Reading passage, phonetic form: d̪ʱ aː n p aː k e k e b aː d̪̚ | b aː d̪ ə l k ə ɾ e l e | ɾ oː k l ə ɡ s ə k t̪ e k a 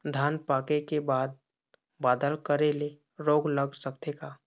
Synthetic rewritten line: d̪ʱ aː n p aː k e k e b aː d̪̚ | b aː d̪ ə l k ə ɾ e l e | ɾ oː ɡ l ə ɡ s ə k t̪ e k a